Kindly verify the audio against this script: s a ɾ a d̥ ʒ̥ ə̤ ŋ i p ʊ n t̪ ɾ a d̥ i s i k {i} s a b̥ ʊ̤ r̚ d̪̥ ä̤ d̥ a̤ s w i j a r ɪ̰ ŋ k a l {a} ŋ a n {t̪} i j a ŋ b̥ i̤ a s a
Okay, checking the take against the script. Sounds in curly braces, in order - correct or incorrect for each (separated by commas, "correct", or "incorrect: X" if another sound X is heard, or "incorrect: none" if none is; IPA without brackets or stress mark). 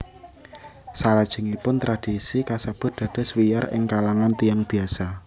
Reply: incorrect: a, correct, correct